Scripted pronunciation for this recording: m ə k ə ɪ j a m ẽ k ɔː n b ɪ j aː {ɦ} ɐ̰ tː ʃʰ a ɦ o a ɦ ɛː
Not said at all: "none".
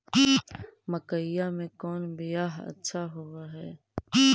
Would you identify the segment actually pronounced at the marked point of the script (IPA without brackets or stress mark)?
ɦ